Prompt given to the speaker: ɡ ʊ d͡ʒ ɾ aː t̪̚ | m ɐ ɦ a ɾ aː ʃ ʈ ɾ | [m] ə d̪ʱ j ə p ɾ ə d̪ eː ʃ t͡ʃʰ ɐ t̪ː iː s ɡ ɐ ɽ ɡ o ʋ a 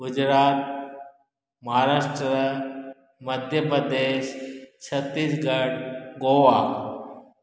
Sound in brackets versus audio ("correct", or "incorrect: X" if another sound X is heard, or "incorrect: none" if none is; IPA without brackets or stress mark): correct